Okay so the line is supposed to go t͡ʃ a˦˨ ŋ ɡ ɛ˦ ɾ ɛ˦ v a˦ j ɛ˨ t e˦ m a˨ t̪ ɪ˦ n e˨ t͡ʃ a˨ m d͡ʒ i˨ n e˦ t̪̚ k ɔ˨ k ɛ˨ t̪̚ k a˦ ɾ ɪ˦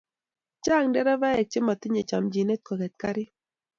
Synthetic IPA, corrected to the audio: t͡ʃ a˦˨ ŋ d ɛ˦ ɾ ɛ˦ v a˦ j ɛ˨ t͡ʃ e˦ m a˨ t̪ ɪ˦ ɲ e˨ t͡ʃ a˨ m d͡ʒ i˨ n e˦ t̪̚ k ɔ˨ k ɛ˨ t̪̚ k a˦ ɾ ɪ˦